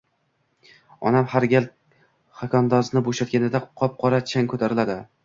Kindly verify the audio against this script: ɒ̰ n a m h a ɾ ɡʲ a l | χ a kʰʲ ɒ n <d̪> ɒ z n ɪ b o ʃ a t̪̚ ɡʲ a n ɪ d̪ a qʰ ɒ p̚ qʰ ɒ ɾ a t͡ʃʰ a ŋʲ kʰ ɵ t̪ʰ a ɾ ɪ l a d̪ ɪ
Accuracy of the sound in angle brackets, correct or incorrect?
correct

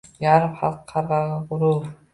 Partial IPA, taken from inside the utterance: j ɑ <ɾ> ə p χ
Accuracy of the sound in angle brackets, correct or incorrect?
correct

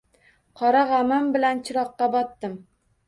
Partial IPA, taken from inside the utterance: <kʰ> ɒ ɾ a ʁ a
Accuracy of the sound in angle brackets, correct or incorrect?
incorrect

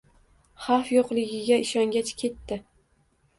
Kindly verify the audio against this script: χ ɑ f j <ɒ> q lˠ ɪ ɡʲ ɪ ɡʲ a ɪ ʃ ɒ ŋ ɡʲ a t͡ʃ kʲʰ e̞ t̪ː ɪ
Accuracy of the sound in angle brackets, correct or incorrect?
incorrect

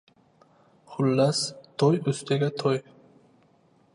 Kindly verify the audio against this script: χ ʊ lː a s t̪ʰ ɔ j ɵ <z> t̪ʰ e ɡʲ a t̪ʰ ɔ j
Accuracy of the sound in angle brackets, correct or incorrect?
incorrect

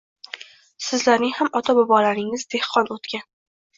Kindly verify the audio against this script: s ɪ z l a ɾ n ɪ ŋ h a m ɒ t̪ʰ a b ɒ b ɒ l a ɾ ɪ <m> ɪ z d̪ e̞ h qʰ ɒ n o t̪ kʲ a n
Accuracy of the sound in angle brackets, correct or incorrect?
incorrect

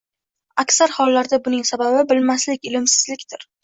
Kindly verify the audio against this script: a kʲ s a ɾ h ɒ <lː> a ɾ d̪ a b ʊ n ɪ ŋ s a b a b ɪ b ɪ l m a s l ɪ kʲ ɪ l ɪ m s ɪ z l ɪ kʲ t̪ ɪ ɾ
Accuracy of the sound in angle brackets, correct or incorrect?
correct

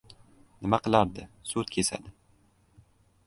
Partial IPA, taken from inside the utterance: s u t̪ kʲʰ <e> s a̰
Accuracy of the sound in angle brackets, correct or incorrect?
correct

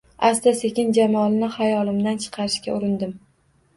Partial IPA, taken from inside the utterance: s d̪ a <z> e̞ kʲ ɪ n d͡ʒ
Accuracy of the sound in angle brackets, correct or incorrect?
incorrect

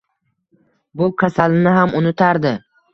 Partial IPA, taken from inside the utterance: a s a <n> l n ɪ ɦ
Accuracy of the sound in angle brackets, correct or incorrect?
incorrect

